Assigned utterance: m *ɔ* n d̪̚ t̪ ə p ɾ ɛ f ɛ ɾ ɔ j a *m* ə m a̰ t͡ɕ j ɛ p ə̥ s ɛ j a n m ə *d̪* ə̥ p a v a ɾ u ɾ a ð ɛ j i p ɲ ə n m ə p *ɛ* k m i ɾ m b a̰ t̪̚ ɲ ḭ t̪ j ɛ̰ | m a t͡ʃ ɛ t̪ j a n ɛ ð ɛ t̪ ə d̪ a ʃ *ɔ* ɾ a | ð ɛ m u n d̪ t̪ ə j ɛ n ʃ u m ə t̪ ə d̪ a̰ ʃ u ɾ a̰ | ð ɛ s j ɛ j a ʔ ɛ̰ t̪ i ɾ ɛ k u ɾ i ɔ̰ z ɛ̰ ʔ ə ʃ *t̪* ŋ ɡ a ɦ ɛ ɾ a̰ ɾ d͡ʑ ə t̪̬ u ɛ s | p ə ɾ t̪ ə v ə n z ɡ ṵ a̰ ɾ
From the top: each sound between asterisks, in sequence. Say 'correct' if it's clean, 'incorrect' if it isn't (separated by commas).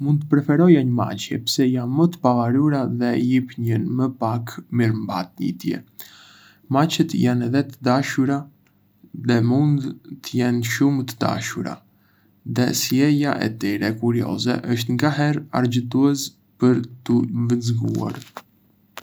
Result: incorrect, incorrect, incorrect, incorrect, incorrect, correct